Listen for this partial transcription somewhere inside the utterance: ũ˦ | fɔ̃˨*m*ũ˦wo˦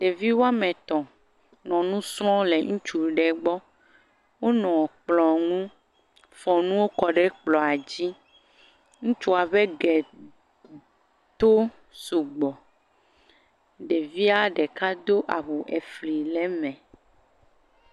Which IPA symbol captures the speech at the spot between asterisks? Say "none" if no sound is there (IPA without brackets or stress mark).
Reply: n